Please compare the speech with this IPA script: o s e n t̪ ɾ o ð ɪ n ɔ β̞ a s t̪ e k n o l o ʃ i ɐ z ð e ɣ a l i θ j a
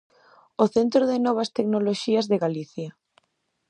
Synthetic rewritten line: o θ e n t̪ ɾ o ð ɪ n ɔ β̞ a s t̪ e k n o l o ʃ i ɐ z ð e ɣ a l i θ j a